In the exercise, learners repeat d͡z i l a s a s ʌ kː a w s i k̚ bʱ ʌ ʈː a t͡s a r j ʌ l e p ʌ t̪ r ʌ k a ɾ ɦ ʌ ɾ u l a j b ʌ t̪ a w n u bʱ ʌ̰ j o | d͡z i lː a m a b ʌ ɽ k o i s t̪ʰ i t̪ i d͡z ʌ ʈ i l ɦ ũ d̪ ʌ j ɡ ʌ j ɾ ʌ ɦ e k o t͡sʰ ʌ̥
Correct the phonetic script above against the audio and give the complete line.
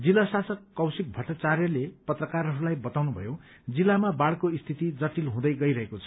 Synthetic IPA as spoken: d͡z i l a s a s ʌ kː ʌ w s i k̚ bʱ ʌ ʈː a t͡s a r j ʌ l e p ʌ t̪ r ʌ k a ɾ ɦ ʌ ɾ u l a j b ʌ t̪ a w n u bʱ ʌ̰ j o | d͡z i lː a m a b a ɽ k o i s t̪ʰ i t̪ i d͡z ʌ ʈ i l ɦ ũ d̪ ʌ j ɡ ʌ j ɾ ʌ ɦ e k o t͡sʰ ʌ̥